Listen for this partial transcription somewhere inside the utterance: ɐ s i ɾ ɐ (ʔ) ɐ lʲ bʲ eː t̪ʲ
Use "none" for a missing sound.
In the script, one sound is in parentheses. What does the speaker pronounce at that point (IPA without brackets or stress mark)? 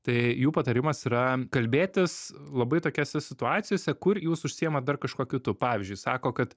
k